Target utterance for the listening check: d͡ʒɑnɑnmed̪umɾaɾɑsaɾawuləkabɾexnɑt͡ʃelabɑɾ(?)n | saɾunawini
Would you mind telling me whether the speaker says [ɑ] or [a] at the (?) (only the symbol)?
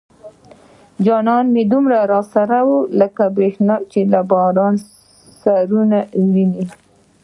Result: ɑ